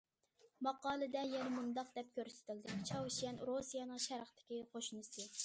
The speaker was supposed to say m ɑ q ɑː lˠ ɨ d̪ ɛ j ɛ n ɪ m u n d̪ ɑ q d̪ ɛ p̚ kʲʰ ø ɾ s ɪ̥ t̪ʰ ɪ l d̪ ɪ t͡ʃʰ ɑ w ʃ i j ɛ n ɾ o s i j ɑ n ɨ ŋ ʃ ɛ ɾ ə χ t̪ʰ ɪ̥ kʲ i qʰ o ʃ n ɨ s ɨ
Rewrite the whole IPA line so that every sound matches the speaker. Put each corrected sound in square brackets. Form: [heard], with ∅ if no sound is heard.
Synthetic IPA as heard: m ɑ q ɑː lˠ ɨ d̪ ɛ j ɛ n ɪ m u n d̪ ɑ q d̪ ɛ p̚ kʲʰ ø ɾ s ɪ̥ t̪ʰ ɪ l d̪ ɪ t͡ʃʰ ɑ w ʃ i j ɛ n ɾ o s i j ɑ n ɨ ŋ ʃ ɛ ɾ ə χ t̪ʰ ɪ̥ kʲ i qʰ o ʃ n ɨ s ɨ